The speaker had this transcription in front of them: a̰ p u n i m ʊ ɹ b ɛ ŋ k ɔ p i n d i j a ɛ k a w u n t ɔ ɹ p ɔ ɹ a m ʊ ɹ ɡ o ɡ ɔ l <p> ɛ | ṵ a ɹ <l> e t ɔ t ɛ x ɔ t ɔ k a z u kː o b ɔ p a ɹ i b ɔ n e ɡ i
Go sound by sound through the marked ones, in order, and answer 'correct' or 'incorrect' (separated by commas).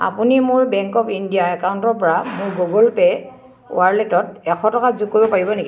correct, correct